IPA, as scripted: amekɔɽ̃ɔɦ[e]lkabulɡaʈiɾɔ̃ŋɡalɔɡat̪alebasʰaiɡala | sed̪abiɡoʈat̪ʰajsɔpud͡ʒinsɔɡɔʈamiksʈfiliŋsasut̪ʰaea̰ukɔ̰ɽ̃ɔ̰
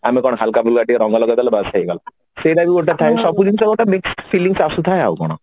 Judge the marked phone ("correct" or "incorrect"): incorrect